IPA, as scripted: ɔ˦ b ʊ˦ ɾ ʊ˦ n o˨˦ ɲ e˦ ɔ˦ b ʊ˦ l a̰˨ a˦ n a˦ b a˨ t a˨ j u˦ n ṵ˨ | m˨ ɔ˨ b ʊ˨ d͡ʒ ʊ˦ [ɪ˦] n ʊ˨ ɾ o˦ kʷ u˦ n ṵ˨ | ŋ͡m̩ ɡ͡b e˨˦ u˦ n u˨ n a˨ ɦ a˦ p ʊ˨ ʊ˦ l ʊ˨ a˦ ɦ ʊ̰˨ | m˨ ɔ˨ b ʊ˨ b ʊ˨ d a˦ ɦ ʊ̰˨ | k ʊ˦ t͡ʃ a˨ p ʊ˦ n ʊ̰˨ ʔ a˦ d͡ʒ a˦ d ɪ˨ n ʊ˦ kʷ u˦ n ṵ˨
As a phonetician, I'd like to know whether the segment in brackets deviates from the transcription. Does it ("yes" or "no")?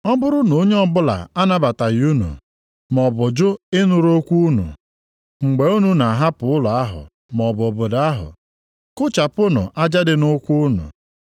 no